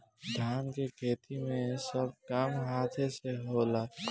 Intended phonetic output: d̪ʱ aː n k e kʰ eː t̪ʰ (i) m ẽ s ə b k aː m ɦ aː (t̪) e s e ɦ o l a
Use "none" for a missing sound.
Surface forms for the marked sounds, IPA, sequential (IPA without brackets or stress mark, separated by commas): i, t̪ʰ